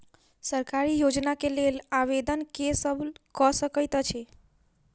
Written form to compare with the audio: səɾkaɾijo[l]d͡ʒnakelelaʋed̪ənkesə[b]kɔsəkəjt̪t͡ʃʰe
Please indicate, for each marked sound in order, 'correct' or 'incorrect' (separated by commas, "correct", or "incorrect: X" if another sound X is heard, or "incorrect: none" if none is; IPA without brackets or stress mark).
incorrect: none, correct